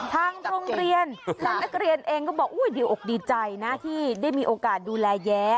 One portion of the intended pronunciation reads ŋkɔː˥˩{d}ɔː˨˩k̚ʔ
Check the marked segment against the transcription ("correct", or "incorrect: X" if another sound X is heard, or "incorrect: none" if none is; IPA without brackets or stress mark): incorrect: b